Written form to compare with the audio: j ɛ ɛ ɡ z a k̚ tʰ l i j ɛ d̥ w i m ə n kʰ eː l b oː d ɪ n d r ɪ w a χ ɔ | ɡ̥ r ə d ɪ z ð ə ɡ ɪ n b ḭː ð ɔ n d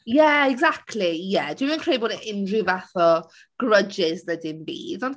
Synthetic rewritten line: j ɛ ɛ ɡ z a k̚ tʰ l i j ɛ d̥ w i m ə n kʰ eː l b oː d ɪ n d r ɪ v a θ ɔ | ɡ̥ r ə d͡ʒ ɪ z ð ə d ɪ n b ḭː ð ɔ n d